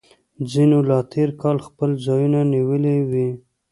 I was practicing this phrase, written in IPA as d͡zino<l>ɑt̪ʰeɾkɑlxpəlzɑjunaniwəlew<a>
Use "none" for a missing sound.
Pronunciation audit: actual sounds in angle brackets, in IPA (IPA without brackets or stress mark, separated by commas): l, i